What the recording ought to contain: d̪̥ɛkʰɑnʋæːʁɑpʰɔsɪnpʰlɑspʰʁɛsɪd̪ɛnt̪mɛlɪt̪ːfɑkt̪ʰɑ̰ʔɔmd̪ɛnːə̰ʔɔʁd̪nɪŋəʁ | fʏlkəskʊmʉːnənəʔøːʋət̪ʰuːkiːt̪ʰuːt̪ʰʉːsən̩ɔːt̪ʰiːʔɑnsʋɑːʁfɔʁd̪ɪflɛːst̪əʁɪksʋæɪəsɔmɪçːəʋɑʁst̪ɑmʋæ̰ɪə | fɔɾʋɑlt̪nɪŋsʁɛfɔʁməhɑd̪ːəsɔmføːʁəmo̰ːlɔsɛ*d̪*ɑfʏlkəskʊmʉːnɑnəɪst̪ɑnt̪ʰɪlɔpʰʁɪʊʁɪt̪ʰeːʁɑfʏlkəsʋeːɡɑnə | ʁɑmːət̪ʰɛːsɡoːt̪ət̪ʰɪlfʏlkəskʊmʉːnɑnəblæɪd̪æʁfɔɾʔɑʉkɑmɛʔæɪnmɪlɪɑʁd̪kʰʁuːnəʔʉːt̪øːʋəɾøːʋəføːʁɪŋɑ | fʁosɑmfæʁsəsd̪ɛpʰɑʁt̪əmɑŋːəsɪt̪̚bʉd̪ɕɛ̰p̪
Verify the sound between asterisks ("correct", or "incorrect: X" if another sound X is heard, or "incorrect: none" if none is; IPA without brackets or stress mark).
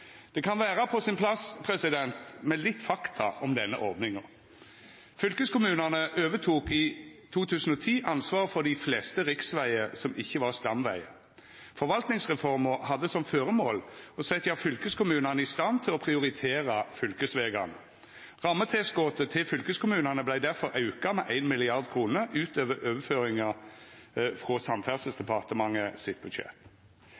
incorrect: t̪